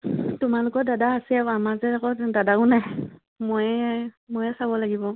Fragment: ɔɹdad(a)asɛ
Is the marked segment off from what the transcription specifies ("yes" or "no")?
no